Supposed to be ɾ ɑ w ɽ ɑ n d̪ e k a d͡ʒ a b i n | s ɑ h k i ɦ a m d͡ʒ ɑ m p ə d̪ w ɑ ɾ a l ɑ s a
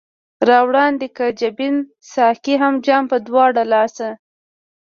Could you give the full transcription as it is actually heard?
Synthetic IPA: ɾ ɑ w ɽ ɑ n d̪ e k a d͡ʒ a b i n | s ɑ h k i ɦ a m d͡ʒ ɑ m p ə d̪ w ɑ ɽ a l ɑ s a